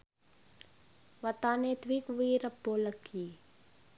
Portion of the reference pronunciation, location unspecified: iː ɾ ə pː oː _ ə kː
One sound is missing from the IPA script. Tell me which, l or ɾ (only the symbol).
l